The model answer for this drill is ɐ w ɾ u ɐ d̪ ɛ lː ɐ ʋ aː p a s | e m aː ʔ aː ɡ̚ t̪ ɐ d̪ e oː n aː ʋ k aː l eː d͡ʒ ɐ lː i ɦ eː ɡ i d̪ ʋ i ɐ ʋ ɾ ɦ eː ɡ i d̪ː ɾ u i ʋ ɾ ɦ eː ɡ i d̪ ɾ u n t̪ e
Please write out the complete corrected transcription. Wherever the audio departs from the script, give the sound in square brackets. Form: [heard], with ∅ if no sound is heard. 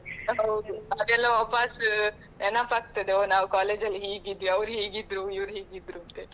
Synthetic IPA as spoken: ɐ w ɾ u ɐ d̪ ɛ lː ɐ ʋ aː p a s | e [n] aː [p] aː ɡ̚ t̪ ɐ d̪ e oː n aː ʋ k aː l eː d͡ʒ ɐ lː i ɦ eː ɡ i d̪ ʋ i ɐ ʋ ɾ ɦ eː ɡ i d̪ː ɾ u i ʋ ɾ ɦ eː ɡ i d̪ ɾ u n t̪ e